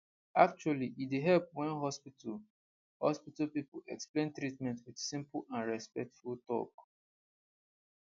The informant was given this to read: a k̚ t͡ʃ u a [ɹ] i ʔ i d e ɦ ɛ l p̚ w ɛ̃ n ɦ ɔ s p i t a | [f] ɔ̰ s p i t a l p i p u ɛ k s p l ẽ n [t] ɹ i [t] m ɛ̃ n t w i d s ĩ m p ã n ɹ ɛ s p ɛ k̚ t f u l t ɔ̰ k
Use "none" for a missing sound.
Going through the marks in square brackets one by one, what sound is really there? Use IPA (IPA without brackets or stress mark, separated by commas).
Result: l, h, t, t